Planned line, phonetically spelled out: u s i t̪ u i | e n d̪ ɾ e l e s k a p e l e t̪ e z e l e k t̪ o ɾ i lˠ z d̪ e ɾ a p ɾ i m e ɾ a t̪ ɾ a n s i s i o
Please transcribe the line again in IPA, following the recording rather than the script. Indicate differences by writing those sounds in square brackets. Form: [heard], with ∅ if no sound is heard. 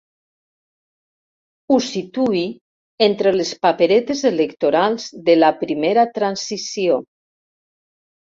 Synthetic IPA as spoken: u s i t̪ u i | e n [t̪] ɾ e l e s [p] a p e [ɾ] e t̪ e z e l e k t̪ o ɾ [a] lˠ z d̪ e [l] a p ɾ i m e ɾ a t̪ ɾ a n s i s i o